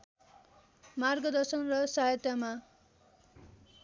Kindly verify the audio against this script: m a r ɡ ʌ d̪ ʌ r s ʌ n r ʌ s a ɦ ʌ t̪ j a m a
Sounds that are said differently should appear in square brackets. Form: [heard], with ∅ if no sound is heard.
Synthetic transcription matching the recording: m a r ɡ ʌ d̪ ʌ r s ʌ n r ʌ s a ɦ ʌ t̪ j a m a